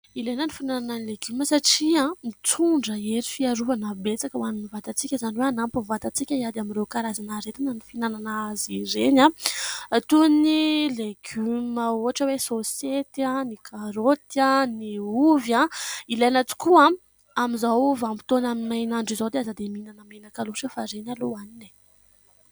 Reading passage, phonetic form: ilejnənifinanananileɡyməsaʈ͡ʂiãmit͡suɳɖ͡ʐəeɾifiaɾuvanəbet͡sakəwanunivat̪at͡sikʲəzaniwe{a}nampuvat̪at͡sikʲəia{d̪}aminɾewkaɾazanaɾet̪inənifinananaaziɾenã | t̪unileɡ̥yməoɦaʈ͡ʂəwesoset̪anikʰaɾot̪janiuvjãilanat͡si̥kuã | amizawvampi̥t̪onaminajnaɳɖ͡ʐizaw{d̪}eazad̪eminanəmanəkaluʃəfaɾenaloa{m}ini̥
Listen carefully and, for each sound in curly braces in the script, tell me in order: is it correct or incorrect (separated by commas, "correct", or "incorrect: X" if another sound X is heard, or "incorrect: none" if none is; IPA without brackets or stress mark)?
correct, correct, correct, incorrect: n